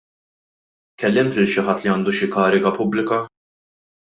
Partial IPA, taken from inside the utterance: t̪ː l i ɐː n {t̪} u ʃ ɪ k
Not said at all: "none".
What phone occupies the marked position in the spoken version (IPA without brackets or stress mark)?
d̪